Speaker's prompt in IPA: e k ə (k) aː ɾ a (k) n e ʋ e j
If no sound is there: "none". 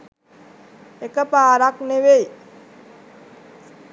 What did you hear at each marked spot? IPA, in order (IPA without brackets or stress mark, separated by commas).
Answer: p, k